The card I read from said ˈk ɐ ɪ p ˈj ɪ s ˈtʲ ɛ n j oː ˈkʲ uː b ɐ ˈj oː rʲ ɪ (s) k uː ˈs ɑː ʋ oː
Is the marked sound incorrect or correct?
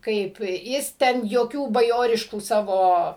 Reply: incorrect